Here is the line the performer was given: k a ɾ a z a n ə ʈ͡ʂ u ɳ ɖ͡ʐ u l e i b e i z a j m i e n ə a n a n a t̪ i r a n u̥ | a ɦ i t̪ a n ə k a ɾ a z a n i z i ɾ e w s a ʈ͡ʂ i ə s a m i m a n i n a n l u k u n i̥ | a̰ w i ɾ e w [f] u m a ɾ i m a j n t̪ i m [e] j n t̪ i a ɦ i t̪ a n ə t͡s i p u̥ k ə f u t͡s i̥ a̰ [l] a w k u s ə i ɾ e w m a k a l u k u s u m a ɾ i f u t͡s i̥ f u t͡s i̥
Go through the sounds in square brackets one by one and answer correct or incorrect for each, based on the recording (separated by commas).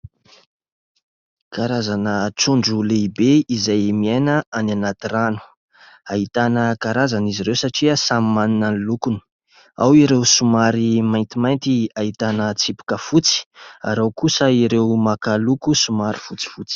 incorrect, incorrect, incorrect